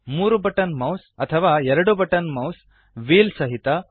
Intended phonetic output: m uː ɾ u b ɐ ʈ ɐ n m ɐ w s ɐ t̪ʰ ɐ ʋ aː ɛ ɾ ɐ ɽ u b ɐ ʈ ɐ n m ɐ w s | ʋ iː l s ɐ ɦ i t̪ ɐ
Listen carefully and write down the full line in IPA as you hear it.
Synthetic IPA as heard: m uː ɾ u b ɐ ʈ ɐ n m ɐ w s ɐ t̪ʰ ɐ ʋ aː ɛ ɾ ɐ ɽ u b ɐ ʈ ɐ n m ɐ w s | ʋ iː l s ɐ ɦ i t̪ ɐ